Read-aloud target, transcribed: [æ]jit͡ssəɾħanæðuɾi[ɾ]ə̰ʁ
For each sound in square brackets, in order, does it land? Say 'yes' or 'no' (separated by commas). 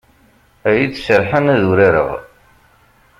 yes, yes